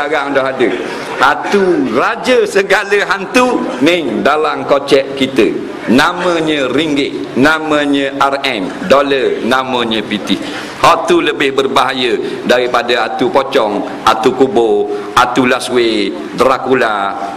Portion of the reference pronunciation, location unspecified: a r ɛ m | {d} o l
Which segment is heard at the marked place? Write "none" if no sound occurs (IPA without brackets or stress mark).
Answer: d